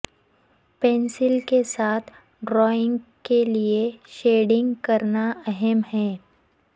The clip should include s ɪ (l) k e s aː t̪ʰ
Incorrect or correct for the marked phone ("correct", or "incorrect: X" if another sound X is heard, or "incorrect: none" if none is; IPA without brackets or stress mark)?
correct